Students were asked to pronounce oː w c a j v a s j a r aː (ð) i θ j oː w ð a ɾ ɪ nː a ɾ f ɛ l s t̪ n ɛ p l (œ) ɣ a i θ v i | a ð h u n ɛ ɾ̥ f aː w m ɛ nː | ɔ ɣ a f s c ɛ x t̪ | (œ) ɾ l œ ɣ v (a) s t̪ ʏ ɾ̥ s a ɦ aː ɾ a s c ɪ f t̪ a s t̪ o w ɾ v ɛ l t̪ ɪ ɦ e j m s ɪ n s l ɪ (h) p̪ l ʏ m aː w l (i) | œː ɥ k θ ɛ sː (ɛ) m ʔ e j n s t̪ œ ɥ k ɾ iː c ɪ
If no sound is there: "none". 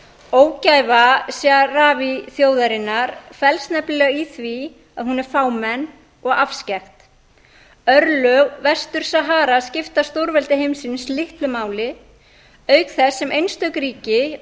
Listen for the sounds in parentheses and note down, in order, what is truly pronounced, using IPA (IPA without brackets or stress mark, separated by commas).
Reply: v, ɛ, œ, ɛ, h, ɪ, ɛ